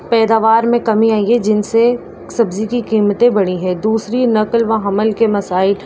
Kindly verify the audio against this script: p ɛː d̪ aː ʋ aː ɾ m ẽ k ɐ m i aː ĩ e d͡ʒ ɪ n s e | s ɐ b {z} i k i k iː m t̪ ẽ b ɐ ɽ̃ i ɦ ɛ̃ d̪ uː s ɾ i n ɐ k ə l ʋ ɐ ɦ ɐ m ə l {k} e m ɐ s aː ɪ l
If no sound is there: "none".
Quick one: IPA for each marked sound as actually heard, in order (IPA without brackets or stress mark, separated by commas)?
z, k